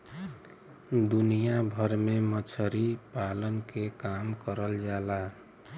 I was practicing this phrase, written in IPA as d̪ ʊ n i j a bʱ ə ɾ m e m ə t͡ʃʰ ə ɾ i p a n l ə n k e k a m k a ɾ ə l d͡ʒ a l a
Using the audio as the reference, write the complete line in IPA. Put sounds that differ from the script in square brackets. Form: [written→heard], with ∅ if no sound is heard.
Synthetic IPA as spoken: d̪ [ʊ→u] n i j a bʱ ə ɾ m e m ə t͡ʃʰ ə ɾ i p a [n→∅] l ə n k e k a m k [a→ə] ɾ ə l d͡ʒ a l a